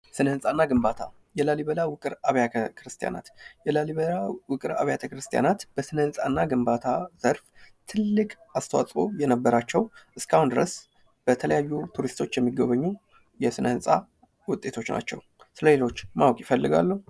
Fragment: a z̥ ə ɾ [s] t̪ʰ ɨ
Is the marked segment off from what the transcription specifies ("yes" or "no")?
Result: yes